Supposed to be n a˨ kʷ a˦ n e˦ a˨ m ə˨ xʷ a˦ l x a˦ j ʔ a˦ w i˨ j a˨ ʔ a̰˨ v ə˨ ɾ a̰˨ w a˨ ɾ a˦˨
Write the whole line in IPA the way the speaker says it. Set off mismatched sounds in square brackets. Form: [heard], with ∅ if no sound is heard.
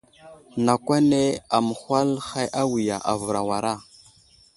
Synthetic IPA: n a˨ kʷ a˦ n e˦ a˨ m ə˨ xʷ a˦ l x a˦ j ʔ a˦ w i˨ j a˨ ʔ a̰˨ v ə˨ ɾ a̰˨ w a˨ ɾ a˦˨